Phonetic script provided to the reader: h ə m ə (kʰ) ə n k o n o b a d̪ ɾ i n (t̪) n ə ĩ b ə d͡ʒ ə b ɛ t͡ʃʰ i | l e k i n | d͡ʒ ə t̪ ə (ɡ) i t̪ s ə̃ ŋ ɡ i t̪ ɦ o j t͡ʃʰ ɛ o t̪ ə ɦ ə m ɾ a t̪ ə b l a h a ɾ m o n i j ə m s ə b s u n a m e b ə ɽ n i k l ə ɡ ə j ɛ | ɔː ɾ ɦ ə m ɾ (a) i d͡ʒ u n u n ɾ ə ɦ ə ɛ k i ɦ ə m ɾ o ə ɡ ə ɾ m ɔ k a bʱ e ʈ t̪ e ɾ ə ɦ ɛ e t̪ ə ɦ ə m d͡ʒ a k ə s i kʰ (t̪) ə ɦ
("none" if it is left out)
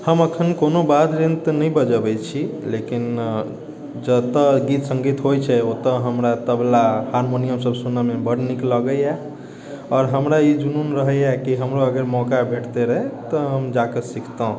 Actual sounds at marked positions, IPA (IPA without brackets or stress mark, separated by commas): kʰ, t̪, ɡ, a, t̪